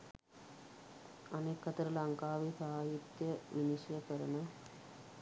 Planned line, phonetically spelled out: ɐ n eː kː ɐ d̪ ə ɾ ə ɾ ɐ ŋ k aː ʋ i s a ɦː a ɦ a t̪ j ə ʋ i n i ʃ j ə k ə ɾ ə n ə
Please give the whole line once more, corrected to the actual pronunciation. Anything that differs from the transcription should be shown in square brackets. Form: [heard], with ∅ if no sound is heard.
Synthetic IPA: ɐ n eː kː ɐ [t̪] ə ɾ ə [l] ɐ ŋ k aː ʋ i s a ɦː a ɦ [i] t̪ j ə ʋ i n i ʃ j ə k ə ɾ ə n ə